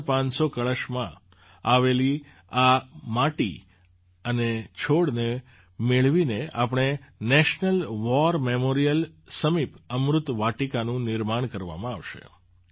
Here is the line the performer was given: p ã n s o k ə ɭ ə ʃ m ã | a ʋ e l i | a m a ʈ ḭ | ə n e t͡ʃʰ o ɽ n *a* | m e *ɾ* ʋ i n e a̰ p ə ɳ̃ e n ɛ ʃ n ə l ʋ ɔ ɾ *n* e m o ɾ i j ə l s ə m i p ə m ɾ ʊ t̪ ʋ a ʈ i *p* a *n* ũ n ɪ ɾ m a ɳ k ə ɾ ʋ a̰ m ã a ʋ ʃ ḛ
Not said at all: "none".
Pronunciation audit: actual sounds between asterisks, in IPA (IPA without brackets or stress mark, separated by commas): e, ɭ, m, k, n